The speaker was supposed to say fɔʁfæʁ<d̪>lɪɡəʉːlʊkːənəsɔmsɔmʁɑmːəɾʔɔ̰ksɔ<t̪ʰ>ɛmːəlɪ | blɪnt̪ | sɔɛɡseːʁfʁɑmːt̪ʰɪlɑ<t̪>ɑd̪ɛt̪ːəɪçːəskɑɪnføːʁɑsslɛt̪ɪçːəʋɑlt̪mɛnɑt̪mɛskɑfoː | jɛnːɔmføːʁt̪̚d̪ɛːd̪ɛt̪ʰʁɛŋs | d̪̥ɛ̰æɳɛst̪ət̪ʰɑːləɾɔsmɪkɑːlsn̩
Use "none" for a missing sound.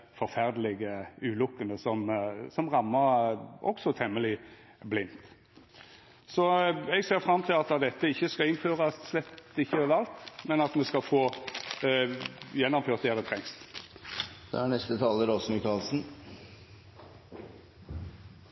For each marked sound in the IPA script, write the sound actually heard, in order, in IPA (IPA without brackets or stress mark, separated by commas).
d̪, t̪ʰ, t̪